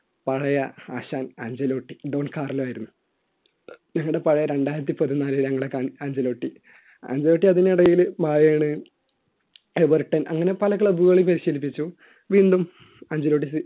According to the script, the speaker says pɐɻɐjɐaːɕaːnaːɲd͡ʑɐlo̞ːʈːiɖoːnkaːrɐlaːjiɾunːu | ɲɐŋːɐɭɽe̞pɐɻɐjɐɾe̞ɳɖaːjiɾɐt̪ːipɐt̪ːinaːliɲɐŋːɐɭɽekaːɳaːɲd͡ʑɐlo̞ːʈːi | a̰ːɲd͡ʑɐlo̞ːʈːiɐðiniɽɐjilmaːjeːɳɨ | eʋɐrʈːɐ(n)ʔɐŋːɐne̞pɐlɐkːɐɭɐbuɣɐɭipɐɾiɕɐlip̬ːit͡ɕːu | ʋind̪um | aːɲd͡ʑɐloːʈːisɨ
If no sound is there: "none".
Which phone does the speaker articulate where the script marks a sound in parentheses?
n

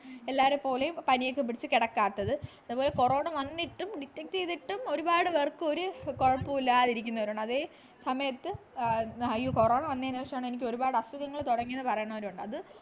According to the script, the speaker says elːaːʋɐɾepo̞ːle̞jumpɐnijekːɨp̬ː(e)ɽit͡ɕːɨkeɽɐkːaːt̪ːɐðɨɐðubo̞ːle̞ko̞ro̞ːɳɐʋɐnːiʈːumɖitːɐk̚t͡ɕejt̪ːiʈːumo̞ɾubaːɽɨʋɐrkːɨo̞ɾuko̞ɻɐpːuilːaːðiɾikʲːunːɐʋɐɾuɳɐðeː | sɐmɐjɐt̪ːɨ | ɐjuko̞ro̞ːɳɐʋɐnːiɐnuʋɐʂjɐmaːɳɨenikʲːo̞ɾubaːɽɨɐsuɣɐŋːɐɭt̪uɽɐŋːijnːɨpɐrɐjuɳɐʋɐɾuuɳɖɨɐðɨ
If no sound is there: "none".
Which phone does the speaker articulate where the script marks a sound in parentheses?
i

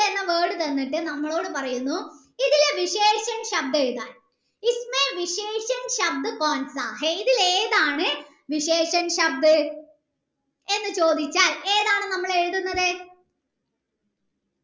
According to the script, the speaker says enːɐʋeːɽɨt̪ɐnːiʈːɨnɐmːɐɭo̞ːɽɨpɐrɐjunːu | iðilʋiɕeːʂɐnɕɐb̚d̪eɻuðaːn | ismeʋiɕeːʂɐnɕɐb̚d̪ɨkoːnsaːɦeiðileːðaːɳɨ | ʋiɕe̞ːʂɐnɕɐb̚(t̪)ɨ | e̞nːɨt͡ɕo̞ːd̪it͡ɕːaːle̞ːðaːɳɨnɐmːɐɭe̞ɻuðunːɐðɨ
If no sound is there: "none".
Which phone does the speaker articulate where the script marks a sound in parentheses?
d̪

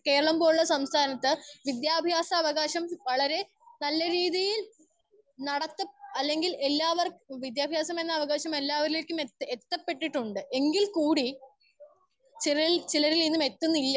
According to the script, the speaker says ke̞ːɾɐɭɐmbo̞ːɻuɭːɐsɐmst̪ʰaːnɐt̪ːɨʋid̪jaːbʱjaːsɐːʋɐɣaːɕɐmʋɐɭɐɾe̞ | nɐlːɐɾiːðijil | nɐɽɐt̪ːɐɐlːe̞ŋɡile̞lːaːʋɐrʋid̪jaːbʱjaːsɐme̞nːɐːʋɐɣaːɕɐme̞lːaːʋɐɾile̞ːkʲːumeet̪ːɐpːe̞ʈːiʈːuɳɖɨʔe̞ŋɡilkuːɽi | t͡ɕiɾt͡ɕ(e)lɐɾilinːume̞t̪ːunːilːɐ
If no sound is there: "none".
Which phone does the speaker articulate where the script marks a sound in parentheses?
i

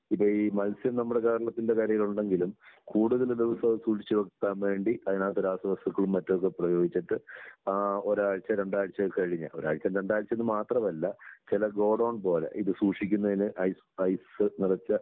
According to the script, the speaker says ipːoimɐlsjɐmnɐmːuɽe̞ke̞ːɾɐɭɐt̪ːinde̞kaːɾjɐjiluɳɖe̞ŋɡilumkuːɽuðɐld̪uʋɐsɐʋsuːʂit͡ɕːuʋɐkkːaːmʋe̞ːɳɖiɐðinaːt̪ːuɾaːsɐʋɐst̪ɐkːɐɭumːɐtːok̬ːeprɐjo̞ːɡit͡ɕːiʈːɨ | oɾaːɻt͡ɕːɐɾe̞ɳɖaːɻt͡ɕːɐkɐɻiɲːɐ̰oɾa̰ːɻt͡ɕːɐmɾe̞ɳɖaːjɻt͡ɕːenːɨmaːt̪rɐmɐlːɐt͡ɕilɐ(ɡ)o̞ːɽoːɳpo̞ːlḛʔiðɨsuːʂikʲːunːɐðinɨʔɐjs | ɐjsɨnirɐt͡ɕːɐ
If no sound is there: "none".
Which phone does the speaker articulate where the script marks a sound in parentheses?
ɡ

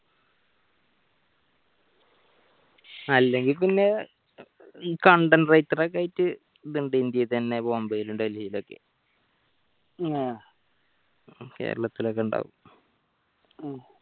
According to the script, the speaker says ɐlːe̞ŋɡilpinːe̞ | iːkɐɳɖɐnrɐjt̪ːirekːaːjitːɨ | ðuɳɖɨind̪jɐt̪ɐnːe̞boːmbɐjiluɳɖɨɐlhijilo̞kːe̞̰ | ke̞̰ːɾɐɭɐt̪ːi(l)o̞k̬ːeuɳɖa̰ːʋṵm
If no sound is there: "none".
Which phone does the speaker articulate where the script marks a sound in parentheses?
l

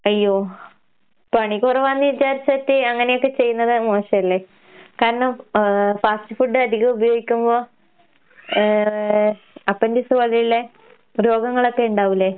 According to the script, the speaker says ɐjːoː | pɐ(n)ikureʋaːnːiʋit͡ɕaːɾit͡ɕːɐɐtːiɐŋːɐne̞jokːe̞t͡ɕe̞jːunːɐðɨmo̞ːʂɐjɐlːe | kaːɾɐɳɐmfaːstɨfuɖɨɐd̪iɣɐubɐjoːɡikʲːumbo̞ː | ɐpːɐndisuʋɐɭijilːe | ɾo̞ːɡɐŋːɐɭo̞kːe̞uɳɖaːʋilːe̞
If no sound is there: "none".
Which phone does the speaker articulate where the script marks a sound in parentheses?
ɳ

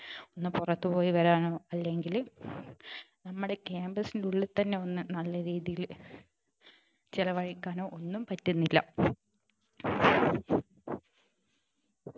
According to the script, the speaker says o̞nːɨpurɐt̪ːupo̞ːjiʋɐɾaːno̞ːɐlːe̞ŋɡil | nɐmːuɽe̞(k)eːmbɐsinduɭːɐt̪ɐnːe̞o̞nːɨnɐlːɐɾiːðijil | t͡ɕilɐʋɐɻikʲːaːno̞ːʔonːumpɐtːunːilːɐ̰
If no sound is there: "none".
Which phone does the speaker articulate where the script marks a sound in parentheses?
k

